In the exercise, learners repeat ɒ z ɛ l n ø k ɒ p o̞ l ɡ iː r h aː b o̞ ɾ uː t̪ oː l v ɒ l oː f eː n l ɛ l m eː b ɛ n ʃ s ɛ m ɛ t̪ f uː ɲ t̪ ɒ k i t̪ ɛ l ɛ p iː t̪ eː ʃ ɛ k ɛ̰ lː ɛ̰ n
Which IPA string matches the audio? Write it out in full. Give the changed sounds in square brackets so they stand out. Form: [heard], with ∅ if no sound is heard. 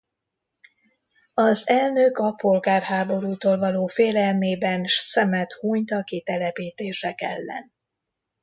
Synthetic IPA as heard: ɒ z ɛ l n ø k ɒ p o̞ l ɡ [aː] r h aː b o̞ ɾ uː t̪ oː l v ɒ l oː f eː [∅] l ɛ l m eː b ɛ n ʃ s ɛ m ɛ t̪ [h] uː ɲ t̪ ɒ k i t̪ ɛ l ɛ p iː t̪ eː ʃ ɛ k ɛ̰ lː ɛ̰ n